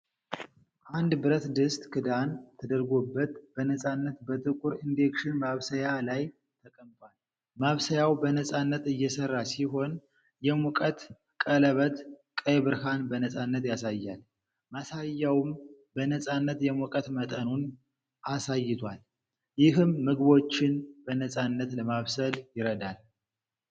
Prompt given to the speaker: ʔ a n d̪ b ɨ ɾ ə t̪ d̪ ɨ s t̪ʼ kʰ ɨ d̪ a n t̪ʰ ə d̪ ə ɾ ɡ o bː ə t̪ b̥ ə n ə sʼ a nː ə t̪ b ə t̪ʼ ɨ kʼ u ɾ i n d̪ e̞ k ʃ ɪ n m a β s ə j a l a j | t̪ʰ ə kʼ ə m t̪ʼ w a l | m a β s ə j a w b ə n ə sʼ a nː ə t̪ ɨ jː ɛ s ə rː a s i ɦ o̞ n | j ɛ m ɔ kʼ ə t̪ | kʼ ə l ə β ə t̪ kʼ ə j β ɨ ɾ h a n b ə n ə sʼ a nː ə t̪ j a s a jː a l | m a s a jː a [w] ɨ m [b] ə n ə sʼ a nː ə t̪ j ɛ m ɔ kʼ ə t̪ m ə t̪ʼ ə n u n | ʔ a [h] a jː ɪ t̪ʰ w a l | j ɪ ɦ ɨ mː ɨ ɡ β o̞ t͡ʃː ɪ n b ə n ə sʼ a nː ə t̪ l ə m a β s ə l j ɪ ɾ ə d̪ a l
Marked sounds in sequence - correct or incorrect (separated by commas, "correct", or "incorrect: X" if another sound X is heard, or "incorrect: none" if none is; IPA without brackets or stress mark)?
correct, correct, incorrect: s